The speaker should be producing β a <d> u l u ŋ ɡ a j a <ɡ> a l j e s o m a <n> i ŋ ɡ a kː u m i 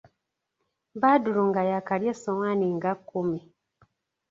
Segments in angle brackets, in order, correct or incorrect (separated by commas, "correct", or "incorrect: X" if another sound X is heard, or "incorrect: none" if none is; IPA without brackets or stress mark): correct, incorrect: k, correct